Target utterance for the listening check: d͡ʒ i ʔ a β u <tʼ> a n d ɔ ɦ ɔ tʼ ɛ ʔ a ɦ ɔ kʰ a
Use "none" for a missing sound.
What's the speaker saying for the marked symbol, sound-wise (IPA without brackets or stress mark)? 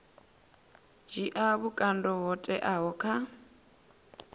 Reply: kʼ